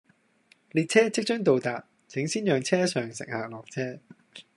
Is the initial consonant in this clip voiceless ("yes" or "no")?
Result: no